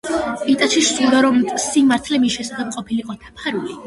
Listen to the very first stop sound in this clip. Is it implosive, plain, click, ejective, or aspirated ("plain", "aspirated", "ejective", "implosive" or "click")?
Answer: ejective